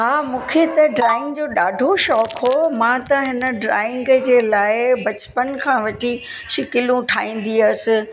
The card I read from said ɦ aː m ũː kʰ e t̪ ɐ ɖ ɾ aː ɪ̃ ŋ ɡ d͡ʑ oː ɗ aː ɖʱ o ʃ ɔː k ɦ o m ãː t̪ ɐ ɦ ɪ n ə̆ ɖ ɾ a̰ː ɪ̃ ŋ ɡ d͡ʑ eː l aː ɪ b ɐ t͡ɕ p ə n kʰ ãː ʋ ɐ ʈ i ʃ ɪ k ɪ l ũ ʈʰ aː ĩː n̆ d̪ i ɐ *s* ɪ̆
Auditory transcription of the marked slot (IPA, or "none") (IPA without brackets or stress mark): s